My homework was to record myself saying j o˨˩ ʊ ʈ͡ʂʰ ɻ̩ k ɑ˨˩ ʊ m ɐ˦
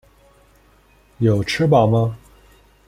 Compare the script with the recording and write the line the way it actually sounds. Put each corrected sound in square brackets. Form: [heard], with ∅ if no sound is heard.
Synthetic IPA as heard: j o˨˩ ʊ ʈ͡ʂʰ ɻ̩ [p] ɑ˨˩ ʊ m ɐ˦